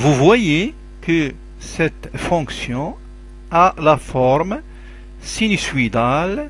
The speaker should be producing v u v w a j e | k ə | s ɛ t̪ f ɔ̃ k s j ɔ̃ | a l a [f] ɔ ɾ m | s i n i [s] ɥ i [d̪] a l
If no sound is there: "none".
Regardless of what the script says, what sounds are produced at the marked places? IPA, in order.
f, s, d̪

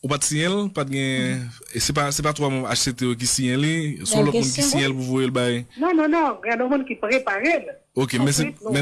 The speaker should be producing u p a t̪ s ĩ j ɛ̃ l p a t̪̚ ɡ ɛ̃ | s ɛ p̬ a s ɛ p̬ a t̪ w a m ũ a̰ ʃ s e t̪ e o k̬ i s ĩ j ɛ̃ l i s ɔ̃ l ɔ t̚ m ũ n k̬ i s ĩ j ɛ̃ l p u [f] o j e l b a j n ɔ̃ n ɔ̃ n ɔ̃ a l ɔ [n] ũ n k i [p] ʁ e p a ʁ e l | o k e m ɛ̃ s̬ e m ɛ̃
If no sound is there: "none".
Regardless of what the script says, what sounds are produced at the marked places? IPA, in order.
v, m, p

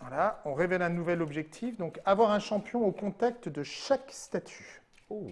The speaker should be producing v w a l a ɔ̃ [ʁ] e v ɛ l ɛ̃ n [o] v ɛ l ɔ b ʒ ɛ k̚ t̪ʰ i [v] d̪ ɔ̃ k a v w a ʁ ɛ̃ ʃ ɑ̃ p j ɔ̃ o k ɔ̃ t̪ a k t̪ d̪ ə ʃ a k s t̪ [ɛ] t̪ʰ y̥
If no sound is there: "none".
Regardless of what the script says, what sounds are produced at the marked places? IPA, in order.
ʁ, u, f, a

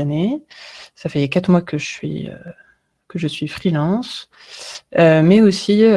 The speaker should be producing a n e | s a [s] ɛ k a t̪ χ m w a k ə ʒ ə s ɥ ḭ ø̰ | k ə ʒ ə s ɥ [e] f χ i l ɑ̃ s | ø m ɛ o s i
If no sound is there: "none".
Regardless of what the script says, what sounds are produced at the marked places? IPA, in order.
f, i

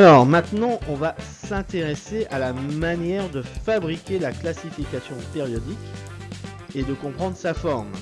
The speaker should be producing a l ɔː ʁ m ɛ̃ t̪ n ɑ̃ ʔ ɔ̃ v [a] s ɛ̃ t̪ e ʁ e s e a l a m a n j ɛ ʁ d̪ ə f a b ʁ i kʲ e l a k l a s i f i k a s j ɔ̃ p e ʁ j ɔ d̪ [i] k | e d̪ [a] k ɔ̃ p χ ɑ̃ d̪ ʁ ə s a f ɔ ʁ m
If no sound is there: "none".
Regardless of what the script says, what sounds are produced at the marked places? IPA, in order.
a, i, ə

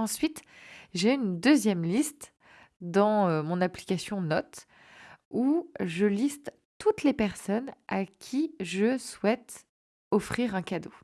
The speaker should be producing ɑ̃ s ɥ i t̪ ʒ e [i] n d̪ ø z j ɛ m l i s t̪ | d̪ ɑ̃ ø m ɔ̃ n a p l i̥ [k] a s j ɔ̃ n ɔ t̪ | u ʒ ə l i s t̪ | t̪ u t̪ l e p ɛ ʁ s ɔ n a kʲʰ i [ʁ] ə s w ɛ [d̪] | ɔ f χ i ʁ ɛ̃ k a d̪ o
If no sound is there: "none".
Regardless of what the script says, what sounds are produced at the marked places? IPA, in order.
y, k, ʒ, t̪

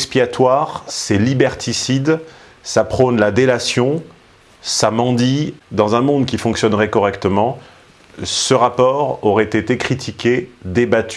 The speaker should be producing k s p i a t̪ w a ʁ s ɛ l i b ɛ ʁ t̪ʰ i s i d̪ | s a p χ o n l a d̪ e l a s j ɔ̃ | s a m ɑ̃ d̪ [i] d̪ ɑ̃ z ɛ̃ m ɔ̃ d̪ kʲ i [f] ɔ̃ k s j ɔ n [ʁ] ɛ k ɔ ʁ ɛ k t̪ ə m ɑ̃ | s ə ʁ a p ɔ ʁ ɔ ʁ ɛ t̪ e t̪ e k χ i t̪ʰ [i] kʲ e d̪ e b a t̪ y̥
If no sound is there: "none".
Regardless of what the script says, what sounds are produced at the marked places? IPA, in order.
i, f, ʁ, i

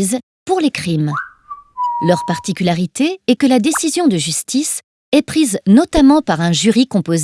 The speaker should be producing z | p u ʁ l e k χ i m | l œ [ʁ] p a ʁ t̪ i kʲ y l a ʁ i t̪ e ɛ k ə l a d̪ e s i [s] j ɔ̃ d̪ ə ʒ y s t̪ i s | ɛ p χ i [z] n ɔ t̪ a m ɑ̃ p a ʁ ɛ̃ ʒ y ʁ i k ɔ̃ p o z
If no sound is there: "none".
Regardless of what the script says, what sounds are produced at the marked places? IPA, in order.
ʁ, z, z

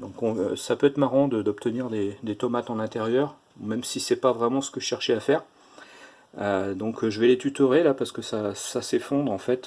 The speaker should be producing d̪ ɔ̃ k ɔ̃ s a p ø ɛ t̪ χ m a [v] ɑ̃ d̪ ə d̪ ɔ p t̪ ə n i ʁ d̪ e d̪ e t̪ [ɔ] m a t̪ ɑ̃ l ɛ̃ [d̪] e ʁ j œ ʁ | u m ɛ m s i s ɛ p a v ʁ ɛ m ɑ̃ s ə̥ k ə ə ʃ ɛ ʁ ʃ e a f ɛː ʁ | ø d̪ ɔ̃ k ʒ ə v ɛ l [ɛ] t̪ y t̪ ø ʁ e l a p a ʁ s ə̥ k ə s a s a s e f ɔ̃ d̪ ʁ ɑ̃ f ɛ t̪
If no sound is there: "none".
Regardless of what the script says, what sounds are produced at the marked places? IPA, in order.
ʁ, ɔ, t̪, e

